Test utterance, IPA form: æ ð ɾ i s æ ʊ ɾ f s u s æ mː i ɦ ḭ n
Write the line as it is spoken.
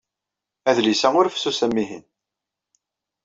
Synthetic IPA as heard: æ ð l i s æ ʊ ɾ f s u s æ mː i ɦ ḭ n